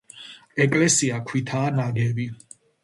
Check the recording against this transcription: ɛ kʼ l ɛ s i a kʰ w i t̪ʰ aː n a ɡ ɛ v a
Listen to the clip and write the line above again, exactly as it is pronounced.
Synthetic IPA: ɛ kʼ l ɛ s i a kʰ w i t̪ʰ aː n a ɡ ɛ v i